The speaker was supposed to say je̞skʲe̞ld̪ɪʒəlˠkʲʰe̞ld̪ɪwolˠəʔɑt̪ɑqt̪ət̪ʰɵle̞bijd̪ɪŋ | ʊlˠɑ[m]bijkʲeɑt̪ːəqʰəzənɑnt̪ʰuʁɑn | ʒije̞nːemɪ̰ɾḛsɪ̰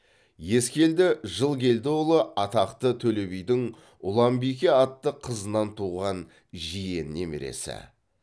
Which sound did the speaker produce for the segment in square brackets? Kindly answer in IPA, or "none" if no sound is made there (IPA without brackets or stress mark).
m